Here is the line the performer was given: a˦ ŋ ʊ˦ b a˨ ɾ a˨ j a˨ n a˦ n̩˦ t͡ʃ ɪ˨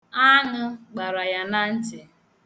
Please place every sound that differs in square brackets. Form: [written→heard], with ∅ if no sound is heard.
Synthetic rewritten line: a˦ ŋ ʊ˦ [b→ɡ͡b] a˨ ɾ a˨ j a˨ n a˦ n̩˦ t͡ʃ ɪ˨